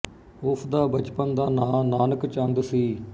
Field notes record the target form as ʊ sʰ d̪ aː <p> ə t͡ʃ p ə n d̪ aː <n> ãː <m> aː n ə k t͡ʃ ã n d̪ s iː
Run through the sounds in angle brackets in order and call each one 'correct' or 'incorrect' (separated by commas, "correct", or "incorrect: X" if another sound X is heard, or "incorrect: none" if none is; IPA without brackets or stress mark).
incorrect: b, correct, incorrect: n